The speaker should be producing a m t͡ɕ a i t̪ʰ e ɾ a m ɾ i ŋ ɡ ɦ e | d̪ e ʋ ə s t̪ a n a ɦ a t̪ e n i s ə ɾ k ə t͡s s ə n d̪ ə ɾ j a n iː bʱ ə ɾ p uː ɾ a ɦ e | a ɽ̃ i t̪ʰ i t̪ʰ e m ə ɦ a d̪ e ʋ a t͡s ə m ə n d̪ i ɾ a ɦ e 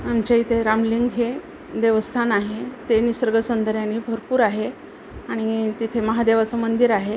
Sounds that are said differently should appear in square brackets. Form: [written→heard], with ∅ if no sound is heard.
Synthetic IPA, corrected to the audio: a m t͡ɕ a i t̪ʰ e ɾ a m [ɾ→l] i ŋ ɡ ɦ e | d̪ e ʋ ə s [t̪→t̪ʰ] a n a ɦ [a→e] t̪ e n i s ə ɾ [k→ɡ] ə [t͡s→∅] s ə n d̪ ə ɾ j a n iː bʱ ə ɾ p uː ɾ a ɦ e | a ɽ̃ i [t̪ʰ→t̪] i t̪ʰ e m ə ɦ a d̪ e ʋ a t͡s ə m ə n d̪ i ɾ a ɦ e

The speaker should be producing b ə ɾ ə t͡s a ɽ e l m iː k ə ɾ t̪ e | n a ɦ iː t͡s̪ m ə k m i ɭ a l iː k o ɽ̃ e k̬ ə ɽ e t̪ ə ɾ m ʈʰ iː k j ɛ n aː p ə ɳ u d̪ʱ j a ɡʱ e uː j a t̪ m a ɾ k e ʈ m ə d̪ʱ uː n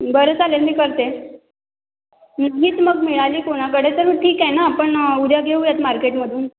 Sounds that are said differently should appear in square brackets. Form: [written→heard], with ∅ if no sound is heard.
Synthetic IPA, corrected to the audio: b ə ɾ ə t͡s a [ɽ→l] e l m iː k ə ɾ t̪ e | n a ɦ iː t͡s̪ m ə [k→ɡ] m i ɭ a l iː k o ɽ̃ [e→a] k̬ ə ɽ e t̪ ə ɾ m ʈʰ iː k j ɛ n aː p ə ɳ u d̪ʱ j a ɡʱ e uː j a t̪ m a ɾ k e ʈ m ə d̪ʱ uː n

